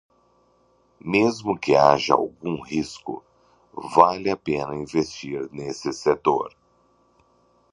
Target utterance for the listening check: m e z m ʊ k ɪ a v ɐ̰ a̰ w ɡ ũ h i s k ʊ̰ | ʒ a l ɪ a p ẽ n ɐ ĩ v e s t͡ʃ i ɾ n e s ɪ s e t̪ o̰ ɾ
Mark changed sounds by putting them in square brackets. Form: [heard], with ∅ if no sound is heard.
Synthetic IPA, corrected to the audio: m e z m ʊ k ɪ a [ʒ] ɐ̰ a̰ w ɡ ũ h i s k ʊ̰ | [v] a l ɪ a p ẽ n ɐ ĩ v e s t͡ʃ i ɾ n e s ɪ s e t̪ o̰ ɾ